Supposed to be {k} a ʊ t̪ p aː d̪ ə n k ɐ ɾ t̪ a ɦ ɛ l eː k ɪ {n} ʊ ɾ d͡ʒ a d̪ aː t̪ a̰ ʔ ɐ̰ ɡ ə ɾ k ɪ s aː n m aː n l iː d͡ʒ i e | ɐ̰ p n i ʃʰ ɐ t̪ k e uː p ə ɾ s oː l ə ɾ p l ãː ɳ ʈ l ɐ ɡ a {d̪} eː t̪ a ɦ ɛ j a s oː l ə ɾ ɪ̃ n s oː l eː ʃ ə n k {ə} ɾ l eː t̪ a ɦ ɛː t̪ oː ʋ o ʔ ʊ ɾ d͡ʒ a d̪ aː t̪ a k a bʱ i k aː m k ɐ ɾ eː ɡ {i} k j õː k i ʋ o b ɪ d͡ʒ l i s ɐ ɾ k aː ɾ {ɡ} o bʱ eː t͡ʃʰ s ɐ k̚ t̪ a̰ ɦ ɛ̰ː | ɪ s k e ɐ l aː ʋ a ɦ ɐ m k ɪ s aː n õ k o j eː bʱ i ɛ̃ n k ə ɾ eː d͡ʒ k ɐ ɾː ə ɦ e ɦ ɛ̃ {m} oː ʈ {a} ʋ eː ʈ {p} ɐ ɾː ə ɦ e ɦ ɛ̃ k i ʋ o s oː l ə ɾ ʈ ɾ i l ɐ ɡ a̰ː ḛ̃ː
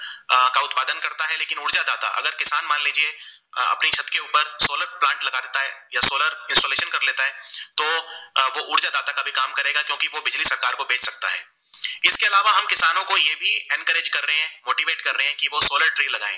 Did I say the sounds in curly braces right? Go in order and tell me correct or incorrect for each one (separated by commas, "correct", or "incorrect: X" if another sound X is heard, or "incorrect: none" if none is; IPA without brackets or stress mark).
correct, correct, correct, incorrect: ɐ, incorrect: a, incorrect: k, correct, incorrect: i, incorrect: k